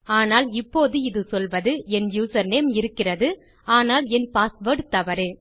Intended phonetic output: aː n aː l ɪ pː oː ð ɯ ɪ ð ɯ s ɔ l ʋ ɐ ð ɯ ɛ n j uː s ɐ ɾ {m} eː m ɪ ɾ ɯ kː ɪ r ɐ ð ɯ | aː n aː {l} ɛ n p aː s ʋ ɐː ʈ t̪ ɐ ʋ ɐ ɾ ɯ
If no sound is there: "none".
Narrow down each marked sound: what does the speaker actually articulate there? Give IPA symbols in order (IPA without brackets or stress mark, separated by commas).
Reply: n, l